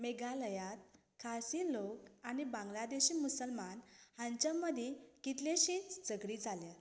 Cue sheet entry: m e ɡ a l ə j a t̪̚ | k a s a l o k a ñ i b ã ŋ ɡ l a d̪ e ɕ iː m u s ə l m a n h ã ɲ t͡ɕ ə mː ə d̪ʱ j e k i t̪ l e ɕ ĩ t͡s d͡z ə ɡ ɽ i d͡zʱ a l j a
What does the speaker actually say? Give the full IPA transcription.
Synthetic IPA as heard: m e ɡ a l ə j a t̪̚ | kʰ a s i l o k a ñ i b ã ŋ ɡ l a d̪ e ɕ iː m u s ə l m a n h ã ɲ t͡ɕ ə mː ə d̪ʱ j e k i t̪ l e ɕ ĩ t͡s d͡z ə ɡ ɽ i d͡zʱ a l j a